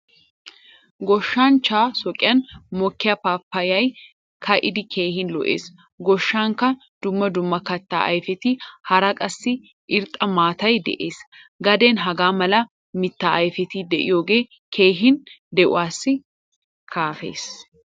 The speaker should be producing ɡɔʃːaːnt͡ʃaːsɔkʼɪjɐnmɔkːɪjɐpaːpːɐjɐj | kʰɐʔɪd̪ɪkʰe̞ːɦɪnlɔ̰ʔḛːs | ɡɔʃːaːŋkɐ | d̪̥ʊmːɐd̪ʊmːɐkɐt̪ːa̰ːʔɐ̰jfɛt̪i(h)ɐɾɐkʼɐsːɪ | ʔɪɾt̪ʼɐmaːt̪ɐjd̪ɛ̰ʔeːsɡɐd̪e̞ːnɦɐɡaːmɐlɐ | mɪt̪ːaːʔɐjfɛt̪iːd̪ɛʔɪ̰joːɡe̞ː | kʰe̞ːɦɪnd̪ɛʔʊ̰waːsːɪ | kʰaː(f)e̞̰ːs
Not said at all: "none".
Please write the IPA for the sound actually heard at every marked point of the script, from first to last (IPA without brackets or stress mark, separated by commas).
h, f